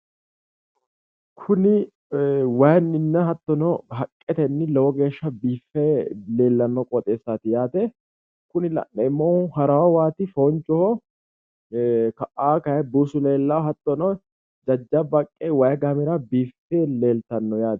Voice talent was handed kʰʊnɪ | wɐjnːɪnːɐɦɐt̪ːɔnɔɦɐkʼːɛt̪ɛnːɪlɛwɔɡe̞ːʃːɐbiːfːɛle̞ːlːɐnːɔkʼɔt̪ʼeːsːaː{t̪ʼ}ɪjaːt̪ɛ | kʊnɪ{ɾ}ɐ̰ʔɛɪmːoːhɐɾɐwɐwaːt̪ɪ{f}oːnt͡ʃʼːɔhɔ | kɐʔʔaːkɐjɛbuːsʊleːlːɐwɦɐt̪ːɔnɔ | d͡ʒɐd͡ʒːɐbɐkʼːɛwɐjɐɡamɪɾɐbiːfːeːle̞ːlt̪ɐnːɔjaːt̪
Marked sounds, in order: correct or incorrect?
incorrect, incorrect, correct

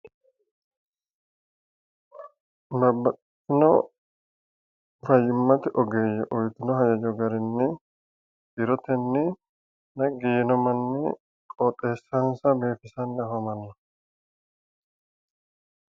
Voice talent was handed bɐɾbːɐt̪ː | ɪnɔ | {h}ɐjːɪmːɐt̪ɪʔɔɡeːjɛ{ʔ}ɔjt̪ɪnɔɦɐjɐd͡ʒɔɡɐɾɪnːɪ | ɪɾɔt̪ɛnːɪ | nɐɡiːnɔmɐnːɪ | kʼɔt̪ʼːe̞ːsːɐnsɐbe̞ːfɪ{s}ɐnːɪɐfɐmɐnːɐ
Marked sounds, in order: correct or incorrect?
incorrect, correct, correct

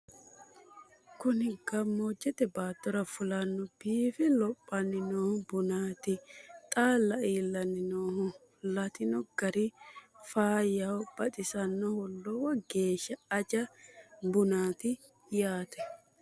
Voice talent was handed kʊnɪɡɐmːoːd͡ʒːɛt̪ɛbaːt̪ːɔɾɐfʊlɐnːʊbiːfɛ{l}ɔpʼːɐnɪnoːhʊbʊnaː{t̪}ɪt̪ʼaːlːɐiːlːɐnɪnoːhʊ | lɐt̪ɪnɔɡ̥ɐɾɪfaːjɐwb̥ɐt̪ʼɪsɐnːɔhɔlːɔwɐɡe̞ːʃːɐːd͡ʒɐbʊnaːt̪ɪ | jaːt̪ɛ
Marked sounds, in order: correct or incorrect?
correct, correct

